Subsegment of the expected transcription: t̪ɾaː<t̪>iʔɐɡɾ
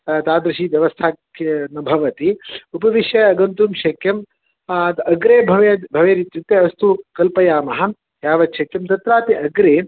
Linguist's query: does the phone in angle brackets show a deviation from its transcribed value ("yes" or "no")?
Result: no